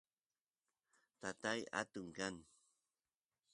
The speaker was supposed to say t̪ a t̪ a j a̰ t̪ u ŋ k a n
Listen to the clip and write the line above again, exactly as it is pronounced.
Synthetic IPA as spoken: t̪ a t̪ a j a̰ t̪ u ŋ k a n